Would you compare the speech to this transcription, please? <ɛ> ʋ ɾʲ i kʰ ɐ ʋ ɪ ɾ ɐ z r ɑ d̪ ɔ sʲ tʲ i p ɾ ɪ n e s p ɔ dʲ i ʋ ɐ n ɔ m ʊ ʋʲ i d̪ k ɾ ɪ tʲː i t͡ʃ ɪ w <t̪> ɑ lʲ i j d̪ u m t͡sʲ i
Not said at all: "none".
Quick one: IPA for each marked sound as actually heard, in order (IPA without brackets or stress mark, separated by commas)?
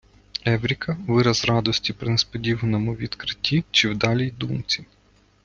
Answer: ɛ, d̪